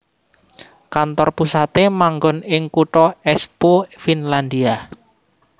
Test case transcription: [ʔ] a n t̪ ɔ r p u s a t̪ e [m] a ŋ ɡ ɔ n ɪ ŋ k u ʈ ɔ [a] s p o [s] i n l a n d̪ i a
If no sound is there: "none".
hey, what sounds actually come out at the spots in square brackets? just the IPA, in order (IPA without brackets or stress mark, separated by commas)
k, m, ɛ, f